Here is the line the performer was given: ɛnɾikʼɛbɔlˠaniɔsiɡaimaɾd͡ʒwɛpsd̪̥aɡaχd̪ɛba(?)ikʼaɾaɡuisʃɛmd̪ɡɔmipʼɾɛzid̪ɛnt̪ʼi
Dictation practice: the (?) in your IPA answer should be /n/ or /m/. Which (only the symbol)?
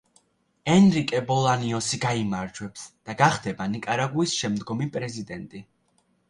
n